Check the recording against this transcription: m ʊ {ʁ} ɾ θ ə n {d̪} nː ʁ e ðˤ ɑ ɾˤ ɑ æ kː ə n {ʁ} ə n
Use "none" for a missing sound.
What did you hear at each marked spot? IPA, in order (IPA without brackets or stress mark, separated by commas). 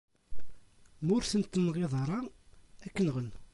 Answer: none, t̪, ʁ